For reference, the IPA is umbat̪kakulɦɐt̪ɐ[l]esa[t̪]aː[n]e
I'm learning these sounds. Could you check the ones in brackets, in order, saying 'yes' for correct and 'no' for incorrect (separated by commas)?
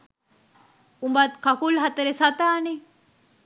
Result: no, yes, yes